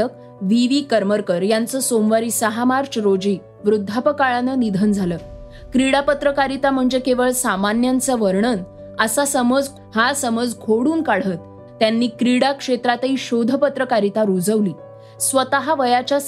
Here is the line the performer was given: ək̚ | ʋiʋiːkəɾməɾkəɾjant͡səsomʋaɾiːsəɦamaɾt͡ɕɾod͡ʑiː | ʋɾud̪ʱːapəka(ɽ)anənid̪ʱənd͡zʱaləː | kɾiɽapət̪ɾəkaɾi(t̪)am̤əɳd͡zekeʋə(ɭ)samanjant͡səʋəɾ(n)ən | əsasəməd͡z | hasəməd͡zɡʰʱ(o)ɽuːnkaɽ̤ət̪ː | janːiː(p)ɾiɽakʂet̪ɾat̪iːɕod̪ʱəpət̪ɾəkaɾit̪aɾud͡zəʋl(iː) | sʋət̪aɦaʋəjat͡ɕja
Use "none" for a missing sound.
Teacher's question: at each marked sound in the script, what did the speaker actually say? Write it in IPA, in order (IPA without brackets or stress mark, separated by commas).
ɭ, t̪, ɭ, ɳ, o, k, iː